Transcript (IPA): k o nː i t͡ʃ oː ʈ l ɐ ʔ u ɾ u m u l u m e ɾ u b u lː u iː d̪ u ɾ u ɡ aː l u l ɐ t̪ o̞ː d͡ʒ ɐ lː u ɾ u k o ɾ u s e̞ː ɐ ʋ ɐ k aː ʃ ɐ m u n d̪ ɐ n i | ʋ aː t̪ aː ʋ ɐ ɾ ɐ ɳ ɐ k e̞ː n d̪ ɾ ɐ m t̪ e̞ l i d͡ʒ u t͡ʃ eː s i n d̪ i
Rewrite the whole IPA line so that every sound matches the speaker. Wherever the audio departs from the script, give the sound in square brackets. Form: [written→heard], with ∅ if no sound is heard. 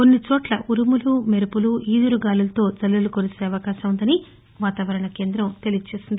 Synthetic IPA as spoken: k o nː i t͡ʃ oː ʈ l ɐ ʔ u ɾ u m u l u m e ɾ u [b→p] u [lː→l] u iː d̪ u ɾ u ɡ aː l u l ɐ t̪ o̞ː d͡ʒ ɐ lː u [ɾ→l] u k o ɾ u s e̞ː ɐ ʋ ɐ k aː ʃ ɐ m u n d̪ ɐ n i | ʋ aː t̪ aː ʋ ɐ ɾ ɐ ɳ ɐ k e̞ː n d̪ ɾ ɐ m t̪ e̞ l i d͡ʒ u t͡ʃ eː s i n d̪ i